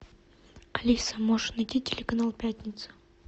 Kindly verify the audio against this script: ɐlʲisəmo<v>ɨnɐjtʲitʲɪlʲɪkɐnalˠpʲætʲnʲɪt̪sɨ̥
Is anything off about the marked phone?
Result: yes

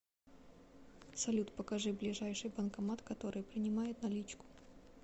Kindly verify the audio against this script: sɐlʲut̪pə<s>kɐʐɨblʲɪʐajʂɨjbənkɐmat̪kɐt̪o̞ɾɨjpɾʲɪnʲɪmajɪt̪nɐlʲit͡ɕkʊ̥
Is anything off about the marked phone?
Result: yes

